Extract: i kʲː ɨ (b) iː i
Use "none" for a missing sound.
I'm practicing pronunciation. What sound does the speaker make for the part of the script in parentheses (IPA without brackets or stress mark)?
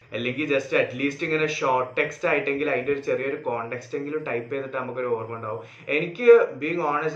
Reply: b